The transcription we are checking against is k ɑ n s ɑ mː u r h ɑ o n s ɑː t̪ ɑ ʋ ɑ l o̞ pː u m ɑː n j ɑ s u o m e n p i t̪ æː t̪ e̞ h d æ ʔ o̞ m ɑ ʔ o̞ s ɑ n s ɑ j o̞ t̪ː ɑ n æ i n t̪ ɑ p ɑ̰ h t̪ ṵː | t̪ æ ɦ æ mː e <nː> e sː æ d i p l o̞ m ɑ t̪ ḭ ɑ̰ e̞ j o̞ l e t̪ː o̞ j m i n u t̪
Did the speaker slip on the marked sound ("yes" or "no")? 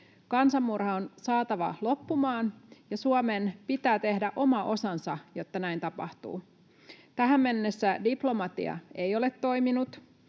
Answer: no